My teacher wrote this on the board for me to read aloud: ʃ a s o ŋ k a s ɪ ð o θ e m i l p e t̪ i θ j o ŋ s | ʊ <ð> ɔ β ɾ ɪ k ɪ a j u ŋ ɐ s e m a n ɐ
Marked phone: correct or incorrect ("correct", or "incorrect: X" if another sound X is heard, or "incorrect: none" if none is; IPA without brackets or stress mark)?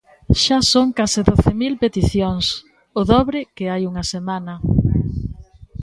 correct